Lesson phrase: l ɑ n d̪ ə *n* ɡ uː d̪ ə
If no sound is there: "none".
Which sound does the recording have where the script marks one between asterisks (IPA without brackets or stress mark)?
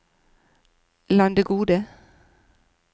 none